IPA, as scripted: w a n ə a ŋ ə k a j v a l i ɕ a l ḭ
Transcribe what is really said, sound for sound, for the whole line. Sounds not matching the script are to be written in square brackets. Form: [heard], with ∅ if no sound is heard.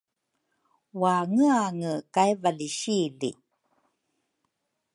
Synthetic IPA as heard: w a [ŋ] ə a ŋ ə k a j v a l i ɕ [i] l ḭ